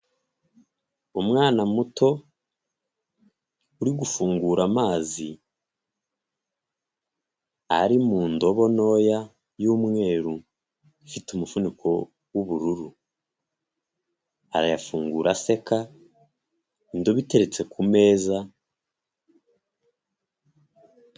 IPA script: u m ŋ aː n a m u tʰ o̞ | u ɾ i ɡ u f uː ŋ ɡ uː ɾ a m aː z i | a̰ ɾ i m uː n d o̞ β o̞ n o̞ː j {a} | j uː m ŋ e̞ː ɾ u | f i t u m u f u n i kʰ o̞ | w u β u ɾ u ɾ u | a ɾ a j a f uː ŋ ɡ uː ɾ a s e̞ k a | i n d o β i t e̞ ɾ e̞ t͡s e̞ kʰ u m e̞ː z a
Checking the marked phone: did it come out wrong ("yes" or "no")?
no